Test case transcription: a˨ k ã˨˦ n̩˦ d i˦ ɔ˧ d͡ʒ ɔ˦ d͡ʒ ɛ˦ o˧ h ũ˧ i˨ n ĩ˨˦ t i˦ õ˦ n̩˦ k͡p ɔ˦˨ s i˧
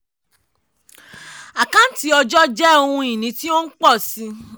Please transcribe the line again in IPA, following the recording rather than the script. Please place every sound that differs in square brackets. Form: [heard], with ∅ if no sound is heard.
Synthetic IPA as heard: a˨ k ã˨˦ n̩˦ [t] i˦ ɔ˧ d͡ʒ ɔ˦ d͡ʒ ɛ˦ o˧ h ũ˧ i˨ n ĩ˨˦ t i˦ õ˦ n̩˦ k͡p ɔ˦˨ s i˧